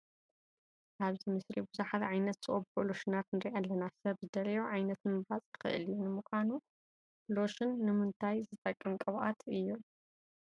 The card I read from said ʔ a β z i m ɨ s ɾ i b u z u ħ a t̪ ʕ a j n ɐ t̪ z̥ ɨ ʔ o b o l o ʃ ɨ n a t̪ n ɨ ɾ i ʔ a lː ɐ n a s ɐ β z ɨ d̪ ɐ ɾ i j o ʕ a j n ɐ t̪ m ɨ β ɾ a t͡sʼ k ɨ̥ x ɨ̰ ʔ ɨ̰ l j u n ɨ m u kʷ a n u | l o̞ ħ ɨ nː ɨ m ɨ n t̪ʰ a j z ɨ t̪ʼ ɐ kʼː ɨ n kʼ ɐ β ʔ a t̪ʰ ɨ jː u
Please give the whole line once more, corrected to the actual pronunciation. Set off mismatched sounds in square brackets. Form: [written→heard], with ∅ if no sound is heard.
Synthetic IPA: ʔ a β z i m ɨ s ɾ i b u z u ħ a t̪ ʕ a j n ɐ t̪ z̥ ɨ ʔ o b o l o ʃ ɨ n a t̪ n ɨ ɾ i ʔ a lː ɐ n a s ɐ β z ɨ d̪ ɐ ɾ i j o ʕ a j n ɐ t̪ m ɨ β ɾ a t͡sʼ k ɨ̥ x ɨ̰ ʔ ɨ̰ l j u n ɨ m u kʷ a n u | l o̞ [ħ→ʃ] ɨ nː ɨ m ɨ n t̪ʰ a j z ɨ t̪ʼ ɐ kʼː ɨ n kʼ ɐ β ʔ a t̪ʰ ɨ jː u

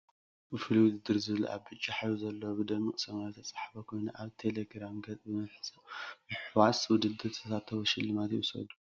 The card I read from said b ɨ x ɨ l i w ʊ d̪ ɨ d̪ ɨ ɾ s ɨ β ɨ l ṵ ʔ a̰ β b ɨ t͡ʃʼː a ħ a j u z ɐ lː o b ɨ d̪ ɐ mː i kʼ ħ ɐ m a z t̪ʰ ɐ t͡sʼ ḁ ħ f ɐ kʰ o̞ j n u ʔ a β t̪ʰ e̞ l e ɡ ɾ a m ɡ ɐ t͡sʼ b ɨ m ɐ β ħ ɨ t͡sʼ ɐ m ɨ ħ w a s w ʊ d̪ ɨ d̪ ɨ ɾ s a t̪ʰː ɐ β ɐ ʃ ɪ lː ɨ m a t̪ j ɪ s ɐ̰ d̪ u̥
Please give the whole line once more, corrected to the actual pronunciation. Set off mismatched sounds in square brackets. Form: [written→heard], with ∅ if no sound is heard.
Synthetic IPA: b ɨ [x→f] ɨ l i w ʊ d̪ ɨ d̪ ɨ ɾ [s→z] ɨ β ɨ l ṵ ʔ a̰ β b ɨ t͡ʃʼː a ħ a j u z ɐ lː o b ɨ d̪ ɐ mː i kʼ [ħ→s] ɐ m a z t̪ʰ ɐ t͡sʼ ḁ ħ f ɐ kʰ o̞ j n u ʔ a β t̪ʰ e̞ l e ɡ ɾ a m ɡ ɐ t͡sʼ b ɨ m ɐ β ħ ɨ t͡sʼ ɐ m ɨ ħ w a s w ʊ d̪ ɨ d̪ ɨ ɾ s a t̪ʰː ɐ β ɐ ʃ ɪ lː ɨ m a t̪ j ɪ s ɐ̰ d̪ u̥

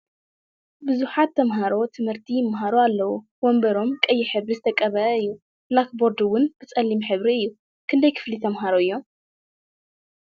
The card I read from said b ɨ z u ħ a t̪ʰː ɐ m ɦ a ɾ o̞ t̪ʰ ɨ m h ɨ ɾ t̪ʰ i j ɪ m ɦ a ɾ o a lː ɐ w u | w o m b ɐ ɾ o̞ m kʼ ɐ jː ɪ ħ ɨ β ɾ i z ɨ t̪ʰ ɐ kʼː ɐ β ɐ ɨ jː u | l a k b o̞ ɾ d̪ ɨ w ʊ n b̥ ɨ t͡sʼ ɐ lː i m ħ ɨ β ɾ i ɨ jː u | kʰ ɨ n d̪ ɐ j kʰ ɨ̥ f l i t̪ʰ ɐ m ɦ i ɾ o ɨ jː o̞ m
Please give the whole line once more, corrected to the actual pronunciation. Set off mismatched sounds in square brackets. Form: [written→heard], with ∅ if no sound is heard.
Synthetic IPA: b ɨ z u ħ a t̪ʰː ɐ m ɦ a ɾ o̞ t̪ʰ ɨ m h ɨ ɾ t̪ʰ i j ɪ m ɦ a ɾ o a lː ɐ w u | w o m b ɐ ɾ o̞ m kʼ ɐ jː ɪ ħ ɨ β ɾ i z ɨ t̪ʰ ɐ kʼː ɐ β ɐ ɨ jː u | l a k b o̞ ɾ d̪ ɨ w ʊ n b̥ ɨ t͡sʼ ɐ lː i m ħ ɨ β ɾ i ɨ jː u | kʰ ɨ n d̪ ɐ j kʰ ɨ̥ f l i t̪ʰ ɐ m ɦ [i→a] ɾ o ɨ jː o̞ m

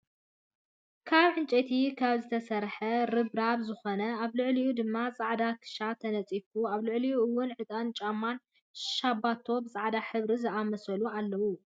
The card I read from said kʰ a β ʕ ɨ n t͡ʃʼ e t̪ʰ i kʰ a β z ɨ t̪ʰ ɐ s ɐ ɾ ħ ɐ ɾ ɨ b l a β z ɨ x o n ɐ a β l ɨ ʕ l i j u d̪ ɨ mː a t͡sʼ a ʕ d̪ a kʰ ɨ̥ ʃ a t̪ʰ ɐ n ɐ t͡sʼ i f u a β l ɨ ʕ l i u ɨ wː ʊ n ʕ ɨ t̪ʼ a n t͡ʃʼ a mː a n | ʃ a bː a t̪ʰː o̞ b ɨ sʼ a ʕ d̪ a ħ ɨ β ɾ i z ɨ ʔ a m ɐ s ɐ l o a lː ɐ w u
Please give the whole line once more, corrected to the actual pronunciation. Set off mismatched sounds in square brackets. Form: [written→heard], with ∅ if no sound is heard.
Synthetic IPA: kʰ a β ʕ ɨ n t͡ʃʼ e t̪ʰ i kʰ a β z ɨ t̪ʰ ɐ s ɐ ɾ ħ ɐ ɾ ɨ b [l→ɾ] a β z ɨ x o n ɐ a β l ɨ ʕ l i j u d̪ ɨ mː a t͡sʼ a ʕ d̪ a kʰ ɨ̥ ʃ a t̪ʰ ɐ n ɐ t͡sʼ i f u a β l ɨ ʕ l i u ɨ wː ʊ n ʕ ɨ t̪ʼ a n t͡ʃʼ a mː a n | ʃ a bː a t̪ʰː o̞ b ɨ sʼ a ʕ d̪ a ħ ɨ β ɾ i z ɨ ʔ a m ɐ s ɐ l [o→u] a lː ɐ w u

